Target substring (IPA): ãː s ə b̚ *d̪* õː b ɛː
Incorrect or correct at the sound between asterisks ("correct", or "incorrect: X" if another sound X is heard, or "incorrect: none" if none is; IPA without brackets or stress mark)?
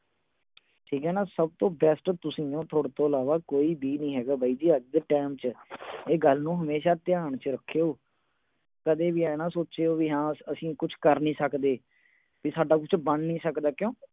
incorrect: t̪